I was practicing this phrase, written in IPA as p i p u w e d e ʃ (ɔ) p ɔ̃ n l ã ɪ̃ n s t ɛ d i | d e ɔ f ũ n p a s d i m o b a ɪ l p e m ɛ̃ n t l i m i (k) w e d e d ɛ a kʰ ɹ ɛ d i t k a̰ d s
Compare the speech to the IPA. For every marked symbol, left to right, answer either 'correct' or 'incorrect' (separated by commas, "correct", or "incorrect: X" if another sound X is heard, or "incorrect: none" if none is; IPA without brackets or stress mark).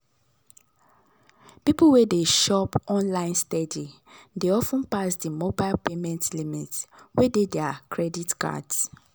correct, incorrect: t